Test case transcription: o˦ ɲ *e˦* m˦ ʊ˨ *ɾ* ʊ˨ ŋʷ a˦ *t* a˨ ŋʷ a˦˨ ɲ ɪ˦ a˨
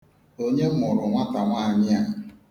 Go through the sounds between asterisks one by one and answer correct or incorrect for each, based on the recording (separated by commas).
correct, correct, correct